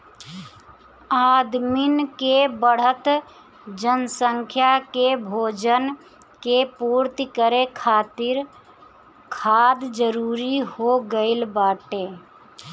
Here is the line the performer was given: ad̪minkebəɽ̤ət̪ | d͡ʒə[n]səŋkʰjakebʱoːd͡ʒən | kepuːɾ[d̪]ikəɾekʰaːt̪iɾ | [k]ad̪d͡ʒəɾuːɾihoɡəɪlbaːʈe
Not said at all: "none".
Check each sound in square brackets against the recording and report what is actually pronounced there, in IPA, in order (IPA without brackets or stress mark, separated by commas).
n, t̪, kʰ